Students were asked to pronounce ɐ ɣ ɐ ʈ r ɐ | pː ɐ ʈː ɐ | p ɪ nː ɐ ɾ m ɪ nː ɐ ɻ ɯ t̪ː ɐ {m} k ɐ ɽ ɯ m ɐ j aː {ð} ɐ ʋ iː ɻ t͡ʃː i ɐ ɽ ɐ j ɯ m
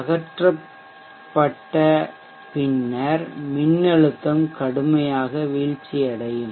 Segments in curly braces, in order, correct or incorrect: correct, incorrect

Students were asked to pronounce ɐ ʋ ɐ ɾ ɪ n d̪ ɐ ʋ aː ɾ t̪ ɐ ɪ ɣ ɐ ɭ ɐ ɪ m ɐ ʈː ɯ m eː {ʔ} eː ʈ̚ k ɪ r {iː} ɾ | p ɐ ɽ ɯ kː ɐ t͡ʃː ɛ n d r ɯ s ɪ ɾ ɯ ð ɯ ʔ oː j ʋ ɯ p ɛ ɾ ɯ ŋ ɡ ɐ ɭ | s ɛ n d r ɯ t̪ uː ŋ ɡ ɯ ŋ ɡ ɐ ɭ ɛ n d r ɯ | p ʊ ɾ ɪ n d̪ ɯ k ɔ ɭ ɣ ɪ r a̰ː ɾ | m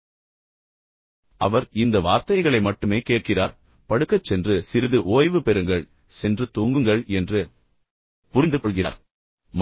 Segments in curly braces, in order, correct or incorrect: incorrect, incorrect

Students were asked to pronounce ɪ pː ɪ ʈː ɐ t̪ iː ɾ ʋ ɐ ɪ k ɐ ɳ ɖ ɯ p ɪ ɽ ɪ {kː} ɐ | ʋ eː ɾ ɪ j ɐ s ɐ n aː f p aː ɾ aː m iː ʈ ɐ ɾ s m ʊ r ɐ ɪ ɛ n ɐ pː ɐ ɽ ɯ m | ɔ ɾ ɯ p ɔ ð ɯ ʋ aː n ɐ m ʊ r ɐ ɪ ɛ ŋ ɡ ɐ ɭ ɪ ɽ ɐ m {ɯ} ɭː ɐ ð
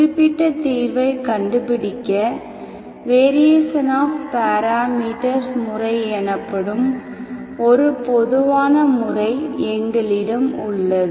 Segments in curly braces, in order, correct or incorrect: correct, incorrect

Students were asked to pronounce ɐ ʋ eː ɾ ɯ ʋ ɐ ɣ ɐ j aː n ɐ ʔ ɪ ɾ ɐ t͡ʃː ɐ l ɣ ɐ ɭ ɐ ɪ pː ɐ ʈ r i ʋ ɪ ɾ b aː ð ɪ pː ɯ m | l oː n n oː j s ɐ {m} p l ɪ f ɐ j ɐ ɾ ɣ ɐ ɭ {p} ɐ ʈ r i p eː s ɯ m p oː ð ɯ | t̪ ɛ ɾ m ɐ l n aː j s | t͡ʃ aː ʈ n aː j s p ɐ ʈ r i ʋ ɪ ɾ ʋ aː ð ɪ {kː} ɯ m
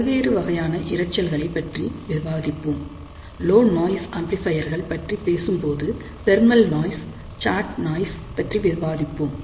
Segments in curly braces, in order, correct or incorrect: correct, correct, incorrect

